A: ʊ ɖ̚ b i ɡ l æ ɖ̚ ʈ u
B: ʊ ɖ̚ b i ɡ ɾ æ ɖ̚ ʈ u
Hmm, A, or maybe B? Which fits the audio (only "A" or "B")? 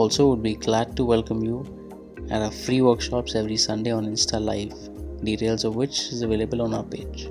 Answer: A